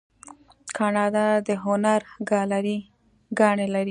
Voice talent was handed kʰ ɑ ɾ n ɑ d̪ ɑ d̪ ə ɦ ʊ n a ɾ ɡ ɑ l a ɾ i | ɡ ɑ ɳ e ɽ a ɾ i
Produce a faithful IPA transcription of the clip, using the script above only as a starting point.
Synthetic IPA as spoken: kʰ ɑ n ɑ d̪ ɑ d̪ ə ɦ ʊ n a ɾ ɡ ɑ l a ɾ i | ɡ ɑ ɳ e l a ɾ i